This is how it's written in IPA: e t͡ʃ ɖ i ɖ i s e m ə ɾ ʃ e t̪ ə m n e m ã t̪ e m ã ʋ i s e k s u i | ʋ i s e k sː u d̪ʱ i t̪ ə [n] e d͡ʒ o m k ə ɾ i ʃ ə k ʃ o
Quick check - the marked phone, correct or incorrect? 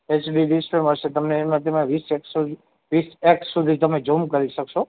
incorrect